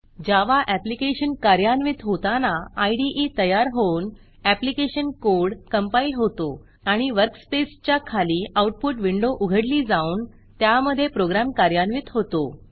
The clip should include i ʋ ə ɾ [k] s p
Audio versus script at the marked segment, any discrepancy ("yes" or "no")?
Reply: no